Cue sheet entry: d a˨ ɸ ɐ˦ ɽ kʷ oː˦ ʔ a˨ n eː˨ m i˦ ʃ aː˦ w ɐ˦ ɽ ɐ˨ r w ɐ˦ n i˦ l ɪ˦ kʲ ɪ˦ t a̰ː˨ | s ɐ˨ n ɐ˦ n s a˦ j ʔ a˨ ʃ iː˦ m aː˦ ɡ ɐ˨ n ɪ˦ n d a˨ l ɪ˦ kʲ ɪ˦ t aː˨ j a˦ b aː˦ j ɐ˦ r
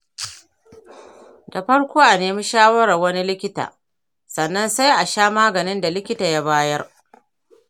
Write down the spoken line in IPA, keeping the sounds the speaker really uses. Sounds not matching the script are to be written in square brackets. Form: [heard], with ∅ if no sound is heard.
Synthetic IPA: d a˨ ɸ ɐ˦ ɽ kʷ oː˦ ʔ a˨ n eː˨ m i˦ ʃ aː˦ w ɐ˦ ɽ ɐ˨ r w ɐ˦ n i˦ l ɪ˦ kʲ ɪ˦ t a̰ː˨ | s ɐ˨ [nː] ɐ˦ n s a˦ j ʔ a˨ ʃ [aː˦] m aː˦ ɡ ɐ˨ n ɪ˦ n d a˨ l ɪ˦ kʲ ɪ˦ t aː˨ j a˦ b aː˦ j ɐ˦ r

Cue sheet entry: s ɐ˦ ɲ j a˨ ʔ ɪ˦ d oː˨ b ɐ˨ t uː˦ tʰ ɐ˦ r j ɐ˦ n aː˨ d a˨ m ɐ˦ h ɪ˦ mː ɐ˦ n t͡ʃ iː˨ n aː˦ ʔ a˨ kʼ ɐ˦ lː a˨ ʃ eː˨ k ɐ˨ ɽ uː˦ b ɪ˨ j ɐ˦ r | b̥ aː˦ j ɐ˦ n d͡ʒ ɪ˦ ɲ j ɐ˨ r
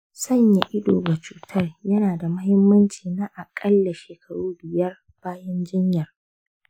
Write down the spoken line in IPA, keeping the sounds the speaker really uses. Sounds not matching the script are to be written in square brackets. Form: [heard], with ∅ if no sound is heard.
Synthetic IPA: s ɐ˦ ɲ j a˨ ʔ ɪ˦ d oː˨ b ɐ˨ [t͡ʃ] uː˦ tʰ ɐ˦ r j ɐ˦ n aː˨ d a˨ m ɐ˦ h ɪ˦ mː ɐ˦ n t͡ʃ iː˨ n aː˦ ʔ a˨ kʼ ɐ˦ lː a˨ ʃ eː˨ k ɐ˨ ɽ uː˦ b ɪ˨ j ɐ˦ r | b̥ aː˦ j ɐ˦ n d͡ʒ ɪ˦ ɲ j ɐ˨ r

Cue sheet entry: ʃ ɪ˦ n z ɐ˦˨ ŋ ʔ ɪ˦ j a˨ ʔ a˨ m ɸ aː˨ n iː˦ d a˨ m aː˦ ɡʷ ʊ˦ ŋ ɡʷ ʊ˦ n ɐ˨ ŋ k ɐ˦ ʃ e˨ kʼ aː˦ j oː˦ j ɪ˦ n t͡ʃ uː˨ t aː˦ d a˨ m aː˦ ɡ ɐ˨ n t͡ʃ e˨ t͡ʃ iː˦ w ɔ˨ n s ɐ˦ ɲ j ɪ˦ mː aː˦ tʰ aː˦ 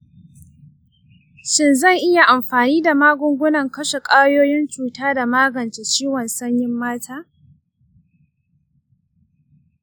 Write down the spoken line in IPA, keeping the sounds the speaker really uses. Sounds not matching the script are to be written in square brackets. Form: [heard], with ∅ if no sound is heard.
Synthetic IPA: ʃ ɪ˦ n z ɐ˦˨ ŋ ʔ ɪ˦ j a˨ ʔ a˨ m ɸ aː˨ n iː˦ d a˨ m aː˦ ɡʷ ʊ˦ ŋ ɡʷ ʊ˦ n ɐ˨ ŋ k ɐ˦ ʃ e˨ kʼ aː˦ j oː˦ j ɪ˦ n t͡ʃ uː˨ t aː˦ d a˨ m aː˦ ɡ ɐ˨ n t͡ʃ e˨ t͡ʃ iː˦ w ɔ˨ n s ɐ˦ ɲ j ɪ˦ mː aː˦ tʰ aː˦

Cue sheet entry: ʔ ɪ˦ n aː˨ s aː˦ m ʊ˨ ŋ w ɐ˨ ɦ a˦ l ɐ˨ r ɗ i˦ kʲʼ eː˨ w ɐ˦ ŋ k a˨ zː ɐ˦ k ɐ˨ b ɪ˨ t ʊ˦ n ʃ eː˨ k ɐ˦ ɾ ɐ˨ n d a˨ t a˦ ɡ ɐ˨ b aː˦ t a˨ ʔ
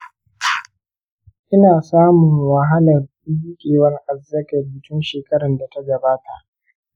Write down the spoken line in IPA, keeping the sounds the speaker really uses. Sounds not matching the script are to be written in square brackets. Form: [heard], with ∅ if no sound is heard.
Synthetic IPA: ʔ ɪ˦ n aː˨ s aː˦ m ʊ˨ ŋ w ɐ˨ ɦ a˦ l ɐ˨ r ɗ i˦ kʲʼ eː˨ w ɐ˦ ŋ [ʔ] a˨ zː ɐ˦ k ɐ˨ b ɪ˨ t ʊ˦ n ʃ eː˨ k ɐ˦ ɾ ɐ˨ n d a˨ t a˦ ɡ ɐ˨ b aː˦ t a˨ ʔ

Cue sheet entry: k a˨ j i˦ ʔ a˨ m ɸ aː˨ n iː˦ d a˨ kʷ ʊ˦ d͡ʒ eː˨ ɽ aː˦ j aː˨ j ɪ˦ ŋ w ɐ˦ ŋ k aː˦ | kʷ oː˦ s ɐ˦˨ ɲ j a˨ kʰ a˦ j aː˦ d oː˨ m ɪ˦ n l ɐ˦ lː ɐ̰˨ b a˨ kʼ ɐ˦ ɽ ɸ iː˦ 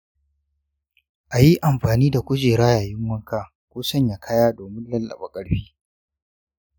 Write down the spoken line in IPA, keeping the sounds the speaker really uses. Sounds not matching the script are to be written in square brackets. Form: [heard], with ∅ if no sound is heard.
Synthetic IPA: [ʔ] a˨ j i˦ ʔ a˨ m ɸ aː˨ n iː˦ d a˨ kʷ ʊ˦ d͡ʒ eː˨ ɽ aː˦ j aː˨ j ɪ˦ ŋ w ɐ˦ ŋ k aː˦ | kʷ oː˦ s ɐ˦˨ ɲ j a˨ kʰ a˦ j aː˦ d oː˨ m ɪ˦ n l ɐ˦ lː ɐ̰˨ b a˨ kʼ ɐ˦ ɽ ɸ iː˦

